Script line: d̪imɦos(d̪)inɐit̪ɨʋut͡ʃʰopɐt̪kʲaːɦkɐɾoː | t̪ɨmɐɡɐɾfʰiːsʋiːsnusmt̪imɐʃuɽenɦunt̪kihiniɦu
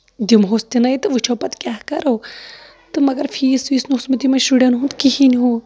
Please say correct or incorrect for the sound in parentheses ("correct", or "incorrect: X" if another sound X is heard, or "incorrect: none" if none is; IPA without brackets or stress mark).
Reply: incorrect: t̪